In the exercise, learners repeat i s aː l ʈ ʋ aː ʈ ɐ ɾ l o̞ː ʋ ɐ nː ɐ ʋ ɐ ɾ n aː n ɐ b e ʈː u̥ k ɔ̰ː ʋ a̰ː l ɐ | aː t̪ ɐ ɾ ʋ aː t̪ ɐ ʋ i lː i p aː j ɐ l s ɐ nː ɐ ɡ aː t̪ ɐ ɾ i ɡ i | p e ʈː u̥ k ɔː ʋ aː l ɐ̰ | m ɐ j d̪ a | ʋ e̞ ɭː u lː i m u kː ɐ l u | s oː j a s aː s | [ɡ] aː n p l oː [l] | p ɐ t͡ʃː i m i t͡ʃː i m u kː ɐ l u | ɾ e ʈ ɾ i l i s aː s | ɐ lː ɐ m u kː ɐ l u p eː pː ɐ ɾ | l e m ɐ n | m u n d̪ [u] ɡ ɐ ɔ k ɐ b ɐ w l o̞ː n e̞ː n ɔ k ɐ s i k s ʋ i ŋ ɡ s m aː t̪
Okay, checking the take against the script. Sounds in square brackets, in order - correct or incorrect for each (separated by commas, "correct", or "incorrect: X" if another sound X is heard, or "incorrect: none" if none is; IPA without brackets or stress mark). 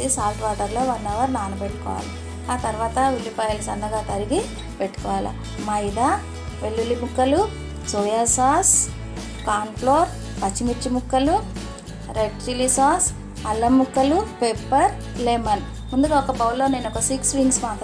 incorrect: k, incorrect: ɾ, correct